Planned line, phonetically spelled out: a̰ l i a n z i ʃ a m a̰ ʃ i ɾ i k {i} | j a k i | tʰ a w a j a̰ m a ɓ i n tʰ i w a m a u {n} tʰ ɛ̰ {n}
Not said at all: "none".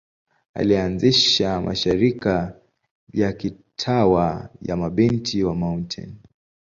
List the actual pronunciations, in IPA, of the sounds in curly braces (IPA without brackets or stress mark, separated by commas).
a, n, n